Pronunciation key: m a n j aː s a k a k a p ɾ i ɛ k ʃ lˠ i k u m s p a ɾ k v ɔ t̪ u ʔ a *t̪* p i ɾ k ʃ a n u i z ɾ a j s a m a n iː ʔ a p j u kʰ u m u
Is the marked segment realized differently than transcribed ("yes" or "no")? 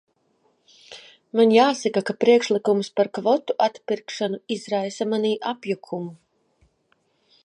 no